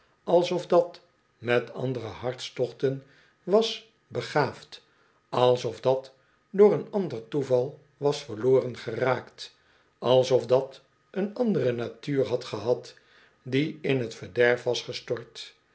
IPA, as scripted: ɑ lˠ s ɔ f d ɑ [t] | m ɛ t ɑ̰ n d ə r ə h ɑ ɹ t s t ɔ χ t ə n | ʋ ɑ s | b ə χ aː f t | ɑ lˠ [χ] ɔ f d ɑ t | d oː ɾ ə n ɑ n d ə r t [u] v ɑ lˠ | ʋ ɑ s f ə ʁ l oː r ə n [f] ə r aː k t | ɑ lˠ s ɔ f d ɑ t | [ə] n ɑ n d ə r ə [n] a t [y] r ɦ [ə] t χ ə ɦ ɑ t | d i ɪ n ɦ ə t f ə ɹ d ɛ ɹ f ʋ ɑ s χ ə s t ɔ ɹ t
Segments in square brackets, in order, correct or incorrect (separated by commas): correct, incorrect, correct, incorrect, correct, correct, incorrect, incorrect